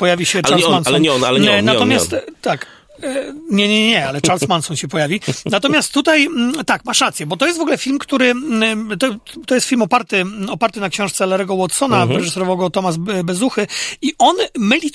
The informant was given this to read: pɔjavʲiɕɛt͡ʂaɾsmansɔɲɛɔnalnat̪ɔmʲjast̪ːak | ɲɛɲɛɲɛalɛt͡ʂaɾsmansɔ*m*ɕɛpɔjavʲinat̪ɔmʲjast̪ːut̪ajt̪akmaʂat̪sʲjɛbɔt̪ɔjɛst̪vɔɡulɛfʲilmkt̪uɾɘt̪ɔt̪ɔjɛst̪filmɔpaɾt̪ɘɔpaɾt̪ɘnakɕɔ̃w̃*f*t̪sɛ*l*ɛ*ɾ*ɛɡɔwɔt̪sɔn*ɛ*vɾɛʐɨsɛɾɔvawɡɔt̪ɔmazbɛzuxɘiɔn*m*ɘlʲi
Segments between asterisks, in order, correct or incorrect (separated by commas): incorrect, incorrect, correct, correct, incorrect, correct